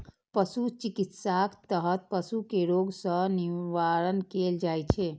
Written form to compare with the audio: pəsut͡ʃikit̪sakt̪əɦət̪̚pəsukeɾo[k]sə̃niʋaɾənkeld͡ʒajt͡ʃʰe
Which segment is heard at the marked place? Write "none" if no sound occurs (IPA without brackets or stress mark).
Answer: ɡ